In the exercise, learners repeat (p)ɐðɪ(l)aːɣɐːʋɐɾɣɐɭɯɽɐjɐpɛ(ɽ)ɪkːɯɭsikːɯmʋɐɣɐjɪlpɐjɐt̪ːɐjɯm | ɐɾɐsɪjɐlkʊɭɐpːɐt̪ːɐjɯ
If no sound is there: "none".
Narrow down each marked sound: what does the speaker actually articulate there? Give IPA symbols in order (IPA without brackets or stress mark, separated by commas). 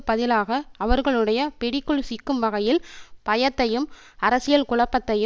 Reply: p, l, ɽ